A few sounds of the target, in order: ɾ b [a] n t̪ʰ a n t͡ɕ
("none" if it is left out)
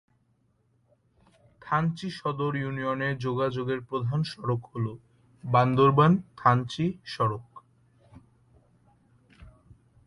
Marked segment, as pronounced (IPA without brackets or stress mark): a